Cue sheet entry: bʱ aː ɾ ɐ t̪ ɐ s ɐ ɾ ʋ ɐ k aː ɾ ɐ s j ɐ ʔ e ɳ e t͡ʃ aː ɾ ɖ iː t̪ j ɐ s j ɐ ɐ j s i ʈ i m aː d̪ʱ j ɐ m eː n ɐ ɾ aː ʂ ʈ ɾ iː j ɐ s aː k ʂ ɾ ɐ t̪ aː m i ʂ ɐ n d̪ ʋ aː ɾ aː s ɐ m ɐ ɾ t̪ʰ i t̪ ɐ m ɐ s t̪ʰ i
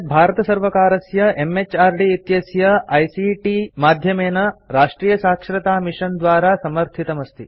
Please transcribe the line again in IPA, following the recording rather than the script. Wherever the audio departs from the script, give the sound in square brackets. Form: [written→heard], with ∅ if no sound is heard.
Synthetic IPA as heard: bʱ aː ɾ ɐ t̪ ɐ s ɐ ɾ ʋ ɐ k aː ɾ ɐ s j ɐ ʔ e [ɳ→m] e t͡ʃ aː ɾ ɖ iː t̪ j ɐ s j ɐ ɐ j s i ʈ i m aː d̪ʱ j ɐ m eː n ɐ ɾ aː ʂ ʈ ɾ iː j ɐ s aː k ʂ ɾ ɐ t̪ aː m i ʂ ɐ n d̪ ʋ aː ɾ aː s ɐ m ɐ ɾ t̪ʰ i t̪ ɐ m ɐ s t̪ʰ i